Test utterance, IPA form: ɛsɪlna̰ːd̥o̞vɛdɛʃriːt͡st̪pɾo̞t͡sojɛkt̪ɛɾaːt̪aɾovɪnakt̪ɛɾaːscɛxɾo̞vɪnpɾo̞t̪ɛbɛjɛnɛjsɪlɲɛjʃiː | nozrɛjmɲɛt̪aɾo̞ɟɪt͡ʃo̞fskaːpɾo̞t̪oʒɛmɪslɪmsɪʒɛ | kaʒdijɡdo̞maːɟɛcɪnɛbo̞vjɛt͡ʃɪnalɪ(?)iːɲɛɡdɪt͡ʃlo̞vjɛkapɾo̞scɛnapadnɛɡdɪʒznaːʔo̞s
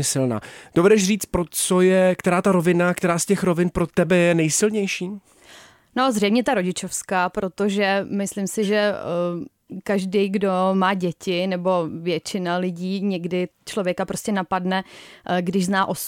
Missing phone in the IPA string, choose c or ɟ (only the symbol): ɟ